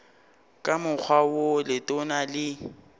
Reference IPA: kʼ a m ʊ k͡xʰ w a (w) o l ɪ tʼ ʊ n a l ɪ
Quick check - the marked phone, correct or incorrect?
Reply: correct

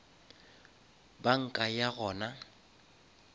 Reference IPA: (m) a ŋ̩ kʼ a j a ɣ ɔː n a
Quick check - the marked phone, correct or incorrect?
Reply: incorrect: b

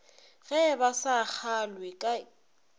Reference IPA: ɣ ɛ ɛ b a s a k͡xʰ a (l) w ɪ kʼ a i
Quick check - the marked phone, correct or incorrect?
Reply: correct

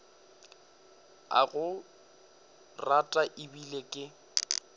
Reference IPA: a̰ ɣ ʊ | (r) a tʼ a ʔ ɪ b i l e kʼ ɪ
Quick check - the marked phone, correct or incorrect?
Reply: correct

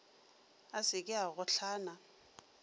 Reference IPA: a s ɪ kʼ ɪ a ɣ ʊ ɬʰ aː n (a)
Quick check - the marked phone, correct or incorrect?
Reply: correct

